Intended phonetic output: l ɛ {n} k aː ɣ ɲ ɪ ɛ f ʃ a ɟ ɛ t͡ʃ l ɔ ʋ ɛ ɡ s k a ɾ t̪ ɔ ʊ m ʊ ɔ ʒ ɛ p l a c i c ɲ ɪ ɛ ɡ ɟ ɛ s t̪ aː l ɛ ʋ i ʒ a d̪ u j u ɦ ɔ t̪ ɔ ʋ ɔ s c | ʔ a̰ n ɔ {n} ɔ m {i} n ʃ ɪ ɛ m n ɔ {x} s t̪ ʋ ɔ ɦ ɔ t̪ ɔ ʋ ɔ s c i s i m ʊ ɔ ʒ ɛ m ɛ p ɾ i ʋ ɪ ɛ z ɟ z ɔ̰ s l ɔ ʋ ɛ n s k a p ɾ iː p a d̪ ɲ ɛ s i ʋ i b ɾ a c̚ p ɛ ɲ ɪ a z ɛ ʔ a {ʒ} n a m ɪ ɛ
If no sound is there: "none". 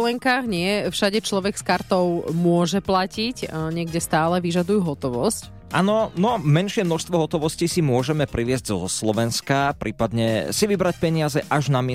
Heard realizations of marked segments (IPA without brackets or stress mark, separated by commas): ŋ, n, ɛ, ʃ, ʒ